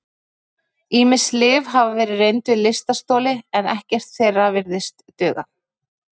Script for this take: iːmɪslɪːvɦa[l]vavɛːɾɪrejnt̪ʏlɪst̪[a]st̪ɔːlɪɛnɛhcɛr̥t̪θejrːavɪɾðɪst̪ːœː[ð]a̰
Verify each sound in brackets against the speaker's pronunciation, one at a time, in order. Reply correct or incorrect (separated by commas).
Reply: incorrect, correct, incorrect